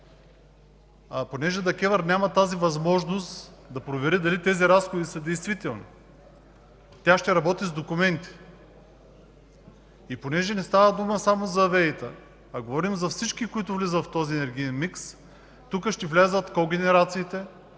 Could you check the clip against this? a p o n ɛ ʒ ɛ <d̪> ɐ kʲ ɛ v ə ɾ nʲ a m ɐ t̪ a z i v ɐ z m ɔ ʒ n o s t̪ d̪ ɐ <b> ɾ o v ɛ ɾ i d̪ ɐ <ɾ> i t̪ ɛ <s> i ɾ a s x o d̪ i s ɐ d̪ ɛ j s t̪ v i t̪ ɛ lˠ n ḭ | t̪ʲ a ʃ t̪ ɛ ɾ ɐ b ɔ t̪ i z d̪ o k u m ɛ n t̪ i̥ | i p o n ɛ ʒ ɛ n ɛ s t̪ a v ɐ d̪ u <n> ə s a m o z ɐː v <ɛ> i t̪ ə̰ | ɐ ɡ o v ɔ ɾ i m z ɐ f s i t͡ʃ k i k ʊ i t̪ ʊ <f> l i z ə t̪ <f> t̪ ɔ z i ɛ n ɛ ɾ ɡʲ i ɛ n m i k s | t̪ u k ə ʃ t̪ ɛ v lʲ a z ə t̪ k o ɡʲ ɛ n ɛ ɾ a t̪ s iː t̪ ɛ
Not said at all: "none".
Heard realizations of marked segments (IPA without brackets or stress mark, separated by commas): d̪, p, l, z, m, ɛ, v, f